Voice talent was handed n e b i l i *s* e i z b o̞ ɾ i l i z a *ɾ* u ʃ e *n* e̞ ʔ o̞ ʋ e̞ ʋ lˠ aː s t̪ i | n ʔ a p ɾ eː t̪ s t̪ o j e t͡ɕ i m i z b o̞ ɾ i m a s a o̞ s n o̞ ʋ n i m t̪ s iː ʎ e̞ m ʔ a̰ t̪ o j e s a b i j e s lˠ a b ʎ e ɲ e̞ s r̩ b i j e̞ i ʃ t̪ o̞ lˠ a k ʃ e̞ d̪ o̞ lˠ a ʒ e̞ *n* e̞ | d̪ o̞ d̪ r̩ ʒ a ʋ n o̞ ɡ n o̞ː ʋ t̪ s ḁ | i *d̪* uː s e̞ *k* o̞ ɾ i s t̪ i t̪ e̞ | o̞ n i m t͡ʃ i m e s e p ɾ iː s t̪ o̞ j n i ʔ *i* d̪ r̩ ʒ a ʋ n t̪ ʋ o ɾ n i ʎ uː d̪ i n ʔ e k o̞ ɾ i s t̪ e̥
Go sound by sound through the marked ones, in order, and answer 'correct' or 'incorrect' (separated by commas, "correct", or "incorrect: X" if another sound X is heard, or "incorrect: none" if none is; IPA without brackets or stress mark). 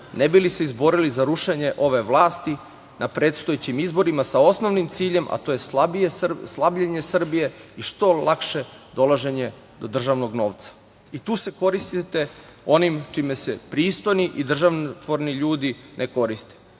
correct, correct, incorrect: ɲ, incorrect: ɲ, incorrect: t̪, correct, correct